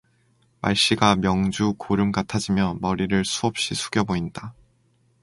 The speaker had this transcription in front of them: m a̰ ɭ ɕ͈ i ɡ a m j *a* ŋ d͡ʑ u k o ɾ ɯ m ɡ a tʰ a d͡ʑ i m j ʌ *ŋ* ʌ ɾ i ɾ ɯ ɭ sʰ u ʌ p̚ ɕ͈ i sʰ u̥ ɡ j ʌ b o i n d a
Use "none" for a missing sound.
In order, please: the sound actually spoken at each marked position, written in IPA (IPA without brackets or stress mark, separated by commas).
ʌ, m